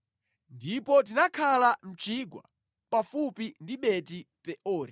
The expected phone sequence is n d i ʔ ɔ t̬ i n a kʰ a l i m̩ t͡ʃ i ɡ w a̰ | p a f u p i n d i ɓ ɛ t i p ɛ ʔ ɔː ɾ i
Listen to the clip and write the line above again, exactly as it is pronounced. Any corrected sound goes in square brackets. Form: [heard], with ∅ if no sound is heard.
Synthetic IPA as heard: n d i [p] ɔ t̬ i n a kʰ a l [a] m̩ t͡ʃ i ɡ w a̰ | p a f u p i n d i ɓ ɛ t i p ɛ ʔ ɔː ɾ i